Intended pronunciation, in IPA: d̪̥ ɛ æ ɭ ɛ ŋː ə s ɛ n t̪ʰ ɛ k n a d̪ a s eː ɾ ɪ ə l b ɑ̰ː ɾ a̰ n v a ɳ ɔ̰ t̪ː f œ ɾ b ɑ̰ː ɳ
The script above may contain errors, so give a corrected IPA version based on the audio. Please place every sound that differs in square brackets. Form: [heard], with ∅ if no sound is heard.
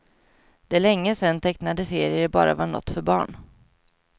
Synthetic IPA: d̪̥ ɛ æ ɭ ɛ ŋː ə s ɛ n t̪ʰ ɛ k n a d̪ [ə] s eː ɾ ɪ ə [ɾ] b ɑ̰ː ɾ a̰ [∅] v a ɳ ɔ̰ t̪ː f œ ɾ b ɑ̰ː ɳ